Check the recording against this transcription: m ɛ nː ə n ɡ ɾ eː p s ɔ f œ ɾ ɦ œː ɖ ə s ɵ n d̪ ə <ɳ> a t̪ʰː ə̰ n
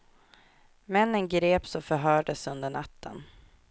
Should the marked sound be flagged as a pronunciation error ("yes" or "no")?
no